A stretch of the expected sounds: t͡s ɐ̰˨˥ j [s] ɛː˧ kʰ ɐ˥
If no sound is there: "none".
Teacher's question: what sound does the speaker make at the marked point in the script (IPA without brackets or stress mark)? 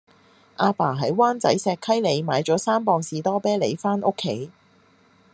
s